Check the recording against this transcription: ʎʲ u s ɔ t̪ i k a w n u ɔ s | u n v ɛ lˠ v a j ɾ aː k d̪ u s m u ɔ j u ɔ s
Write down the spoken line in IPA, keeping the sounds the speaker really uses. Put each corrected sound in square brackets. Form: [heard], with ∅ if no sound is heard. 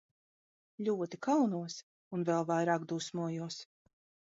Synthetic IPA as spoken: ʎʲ u [∅] ɔ t̪ i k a w n u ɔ s | u n v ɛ lˠ v a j ɾ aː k d̪ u s m u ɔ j u ɔ s